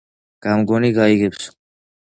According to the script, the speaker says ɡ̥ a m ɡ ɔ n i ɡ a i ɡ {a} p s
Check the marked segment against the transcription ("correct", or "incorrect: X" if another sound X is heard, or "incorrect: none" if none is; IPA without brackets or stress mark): incorrect: ɛ